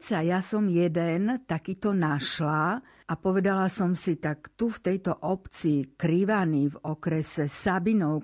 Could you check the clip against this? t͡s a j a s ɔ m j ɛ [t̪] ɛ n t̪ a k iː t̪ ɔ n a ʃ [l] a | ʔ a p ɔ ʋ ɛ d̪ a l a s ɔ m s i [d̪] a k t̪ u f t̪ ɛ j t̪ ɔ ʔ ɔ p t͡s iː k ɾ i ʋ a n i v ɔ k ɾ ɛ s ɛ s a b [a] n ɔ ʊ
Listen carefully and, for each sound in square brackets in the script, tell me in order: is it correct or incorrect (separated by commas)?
incorrect, correct, incorrect, incorrect